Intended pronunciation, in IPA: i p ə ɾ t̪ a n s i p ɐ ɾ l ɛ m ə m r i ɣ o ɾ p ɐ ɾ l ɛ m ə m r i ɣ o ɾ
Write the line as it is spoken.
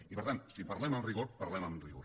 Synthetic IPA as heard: i p ə ɾ t̪ a n s i p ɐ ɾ l ɛ m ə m r i ɣ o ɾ p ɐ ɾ l ɛ m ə m r i ɣ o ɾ